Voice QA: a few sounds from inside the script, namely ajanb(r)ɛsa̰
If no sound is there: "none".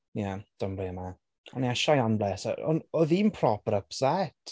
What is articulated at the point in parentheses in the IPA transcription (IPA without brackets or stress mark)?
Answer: l